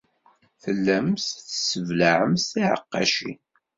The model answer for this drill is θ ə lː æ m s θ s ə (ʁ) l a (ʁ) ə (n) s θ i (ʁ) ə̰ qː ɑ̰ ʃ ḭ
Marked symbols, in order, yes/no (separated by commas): no, no, no, no